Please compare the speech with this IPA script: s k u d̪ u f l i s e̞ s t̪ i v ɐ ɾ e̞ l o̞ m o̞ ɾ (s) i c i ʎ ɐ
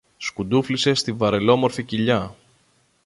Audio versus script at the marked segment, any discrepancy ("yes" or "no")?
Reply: yes